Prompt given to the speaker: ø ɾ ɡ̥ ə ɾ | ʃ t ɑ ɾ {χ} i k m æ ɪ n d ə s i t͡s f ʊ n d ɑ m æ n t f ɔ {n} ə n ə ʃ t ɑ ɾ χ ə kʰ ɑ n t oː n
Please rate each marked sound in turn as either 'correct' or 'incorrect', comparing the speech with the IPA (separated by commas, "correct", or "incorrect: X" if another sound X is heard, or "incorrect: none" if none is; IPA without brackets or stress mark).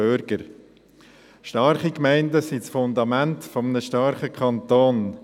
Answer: correct, incorrect: m